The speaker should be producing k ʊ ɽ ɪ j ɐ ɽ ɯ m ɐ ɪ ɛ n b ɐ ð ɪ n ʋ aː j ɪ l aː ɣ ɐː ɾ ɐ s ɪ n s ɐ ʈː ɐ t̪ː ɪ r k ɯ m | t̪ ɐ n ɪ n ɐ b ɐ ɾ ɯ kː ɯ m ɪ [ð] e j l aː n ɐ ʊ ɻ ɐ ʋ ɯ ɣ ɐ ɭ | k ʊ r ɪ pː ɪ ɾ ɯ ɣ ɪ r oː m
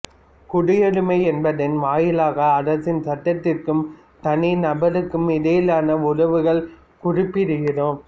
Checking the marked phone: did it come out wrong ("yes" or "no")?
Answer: no